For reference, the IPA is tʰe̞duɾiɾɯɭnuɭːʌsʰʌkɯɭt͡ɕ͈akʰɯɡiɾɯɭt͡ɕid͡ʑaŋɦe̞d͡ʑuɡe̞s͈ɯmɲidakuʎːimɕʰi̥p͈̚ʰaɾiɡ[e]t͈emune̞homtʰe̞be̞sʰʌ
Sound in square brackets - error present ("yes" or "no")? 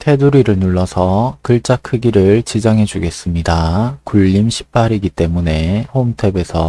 yes